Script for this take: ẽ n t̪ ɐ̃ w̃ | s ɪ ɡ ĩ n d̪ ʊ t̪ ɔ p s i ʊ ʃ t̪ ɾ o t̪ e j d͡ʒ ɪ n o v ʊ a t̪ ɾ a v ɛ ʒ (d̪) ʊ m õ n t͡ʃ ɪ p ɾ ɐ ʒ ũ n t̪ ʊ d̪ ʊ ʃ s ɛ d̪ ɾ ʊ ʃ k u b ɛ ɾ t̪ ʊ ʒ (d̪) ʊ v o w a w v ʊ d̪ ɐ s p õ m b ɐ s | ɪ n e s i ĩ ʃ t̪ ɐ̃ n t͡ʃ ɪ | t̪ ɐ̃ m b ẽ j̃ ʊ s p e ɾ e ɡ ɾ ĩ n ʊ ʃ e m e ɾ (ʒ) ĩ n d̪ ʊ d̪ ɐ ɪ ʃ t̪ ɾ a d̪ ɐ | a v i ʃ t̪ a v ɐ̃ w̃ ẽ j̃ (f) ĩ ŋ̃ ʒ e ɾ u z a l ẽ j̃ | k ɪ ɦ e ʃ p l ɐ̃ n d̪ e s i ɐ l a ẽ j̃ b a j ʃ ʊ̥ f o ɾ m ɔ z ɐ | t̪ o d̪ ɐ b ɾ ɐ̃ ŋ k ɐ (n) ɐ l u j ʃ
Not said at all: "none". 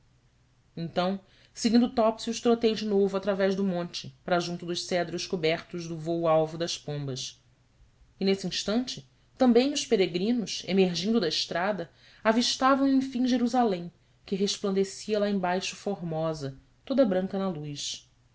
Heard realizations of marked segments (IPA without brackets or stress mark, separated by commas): d̪, d̪, ʒ, f, n